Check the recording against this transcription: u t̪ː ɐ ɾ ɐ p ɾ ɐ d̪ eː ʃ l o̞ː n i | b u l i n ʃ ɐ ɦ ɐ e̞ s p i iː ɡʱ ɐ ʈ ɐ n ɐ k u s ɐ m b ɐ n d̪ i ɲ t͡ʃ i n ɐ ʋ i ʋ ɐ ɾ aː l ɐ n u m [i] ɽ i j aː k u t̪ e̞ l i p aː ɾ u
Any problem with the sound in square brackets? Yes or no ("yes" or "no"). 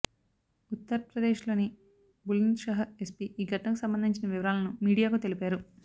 yes